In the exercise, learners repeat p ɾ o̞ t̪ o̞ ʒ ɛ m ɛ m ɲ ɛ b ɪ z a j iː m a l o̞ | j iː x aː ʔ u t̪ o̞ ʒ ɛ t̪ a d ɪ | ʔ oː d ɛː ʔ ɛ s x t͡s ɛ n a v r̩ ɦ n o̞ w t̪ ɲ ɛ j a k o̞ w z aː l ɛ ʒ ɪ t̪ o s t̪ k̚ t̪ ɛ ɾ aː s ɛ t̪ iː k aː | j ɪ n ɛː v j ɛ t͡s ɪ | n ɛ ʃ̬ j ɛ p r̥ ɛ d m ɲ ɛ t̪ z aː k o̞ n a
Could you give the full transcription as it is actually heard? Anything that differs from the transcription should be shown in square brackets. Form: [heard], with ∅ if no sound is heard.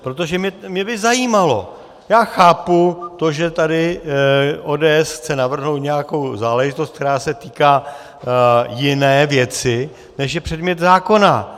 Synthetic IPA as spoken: p ɾ o̞ t̪ o̞ ʒ ɛ m ɛ m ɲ ɛ b ɪ z a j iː m a l o̞ | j [aː] x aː [p] u t̪ o̞ ʒ ɛ t̪ a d ɪ | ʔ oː d ɛː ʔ ɛ s x t͡s ɛ n a v r̩ ɦ n o̞ w t̪ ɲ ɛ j a k o̞ w z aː l ɛ ʒ ɪ t̪ o s t̪ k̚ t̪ ɛ ɾ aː s ɛ t̪ iː k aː | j ɪ n ɛː v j ɛ t͡s ɪ | n ɛ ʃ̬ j ɛ p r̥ ɛ d m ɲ ɛ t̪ z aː k o̞ n a